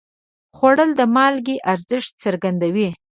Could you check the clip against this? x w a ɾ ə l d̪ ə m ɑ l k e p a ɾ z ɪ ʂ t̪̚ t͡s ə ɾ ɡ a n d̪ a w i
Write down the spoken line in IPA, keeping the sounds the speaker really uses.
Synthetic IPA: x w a ɽ ə l d̪ ə m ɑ l ɡ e ʔ a ɾ z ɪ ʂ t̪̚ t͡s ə ɾ ɡ a n d̪ a w i